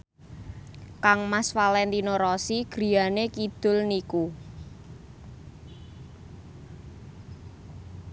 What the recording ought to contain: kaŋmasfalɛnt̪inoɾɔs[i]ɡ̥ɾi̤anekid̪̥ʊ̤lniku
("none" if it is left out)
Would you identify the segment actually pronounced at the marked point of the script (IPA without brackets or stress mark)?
i